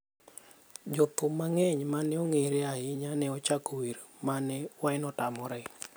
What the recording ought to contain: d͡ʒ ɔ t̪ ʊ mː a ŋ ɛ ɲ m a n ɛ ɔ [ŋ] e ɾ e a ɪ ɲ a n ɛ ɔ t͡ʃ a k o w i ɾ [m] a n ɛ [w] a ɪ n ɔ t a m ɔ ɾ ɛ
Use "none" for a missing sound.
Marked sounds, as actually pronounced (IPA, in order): ŋ, m, w

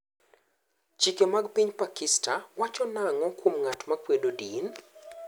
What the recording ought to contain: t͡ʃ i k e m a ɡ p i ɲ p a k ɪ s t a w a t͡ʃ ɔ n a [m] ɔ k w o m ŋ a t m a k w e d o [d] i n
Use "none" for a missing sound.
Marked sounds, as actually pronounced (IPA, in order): ŋ, d

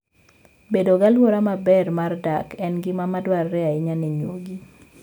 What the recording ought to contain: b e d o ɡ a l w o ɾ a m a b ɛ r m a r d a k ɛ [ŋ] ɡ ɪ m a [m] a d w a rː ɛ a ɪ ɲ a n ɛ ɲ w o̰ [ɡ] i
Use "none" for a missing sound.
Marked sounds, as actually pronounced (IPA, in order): n, m, ɡ

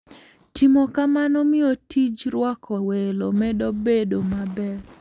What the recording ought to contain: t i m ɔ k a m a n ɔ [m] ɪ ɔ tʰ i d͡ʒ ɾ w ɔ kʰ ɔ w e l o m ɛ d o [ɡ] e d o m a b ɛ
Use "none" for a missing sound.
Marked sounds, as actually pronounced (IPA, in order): m, b

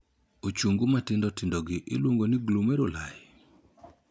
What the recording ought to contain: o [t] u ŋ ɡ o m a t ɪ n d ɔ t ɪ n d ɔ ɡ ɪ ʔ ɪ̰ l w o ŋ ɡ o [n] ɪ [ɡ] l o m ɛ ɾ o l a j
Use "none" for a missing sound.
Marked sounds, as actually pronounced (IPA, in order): t͡ʃ, n, ɡ

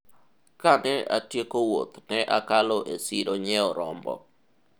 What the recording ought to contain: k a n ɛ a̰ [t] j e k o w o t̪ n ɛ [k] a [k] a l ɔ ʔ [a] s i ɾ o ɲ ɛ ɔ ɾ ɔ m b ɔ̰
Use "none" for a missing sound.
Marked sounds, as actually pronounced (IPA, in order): t, ʔ, k, e

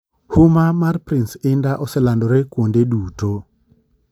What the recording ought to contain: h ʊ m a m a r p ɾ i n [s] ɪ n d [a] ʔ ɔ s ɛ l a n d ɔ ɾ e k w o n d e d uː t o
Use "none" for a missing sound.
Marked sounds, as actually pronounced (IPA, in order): s, a

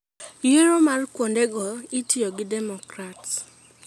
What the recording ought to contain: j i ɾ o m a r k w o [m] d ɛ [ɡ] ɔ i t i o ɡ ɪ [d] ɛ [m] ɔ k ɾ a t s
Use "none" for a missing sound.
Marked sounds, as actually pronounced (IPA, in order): n, ɡ, d, m

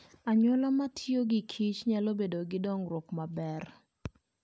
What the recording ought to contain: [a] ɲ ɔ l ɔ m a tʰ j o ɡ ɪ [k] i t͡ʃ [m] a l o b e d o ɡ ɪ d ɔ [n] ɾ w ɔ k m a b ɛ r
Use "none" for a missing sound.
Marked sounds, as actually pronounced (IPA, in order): a, kʰ, ɲ, ŋ

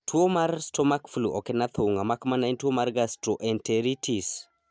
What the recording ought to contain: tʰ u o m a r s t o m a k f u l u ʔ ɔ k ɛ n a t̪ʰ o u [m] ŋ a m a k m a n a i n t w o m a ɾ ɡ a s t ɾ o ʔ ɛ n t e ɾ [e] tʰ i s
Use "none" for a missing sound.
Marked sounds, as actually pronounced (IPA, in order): none, i

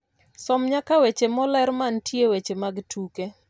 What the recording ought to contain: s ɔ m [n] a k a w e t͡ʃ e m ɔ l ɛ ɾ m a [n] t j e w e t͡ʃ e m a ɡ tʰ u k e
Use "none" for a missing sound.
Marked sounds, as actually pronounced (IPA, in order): ɲ, n

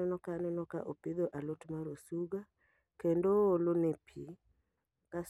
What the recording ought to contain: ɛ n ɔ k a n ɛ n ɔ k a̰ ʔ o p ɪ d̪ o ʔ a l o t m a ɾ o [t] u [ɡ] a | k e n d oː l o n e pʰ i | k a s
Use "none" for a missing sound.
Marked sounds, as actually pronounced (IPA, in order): s, ɡ

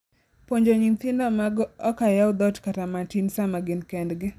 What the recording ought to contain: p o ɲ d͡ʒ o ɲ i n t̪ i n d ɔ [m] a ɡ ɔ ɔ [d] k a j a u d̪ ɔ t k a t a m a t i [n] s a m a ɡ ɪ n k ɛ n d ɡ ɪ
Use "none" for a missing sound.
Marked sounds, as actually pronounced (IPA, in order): m, none, n

